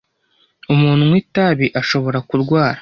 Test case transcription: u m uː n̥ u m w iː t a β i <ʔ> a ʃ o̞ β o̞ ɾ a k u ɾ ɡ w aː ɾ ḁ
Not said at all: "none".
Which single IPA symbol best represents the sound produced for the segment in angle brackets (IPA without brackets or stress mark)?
ʔ